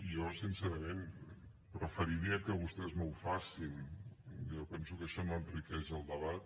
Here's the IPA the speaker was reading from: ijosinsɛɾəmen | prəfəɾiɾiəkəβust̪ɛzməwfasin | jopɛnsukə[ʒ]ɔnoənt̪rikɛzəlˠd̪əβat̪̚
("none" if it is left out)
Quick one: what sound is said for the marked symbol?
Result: ʃ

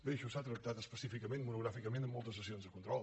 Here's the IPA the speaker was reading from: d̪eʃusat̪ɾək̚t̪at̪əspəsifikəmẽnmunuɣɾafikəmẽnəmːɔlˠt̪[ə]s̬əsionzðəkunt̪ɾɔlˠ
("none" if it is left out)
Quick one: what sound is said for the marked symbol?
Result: ə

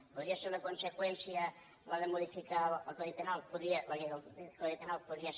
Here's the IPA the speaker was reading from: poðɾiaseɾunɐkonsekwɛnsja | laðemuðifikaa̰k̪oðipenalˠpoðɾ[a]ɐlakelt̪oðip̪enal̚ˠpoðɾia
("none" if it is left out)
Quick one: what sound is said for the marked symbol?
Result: i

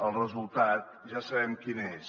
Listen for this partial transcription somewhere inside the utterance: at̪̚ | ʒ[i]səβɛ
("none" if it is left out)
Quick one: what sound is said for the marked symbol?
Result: a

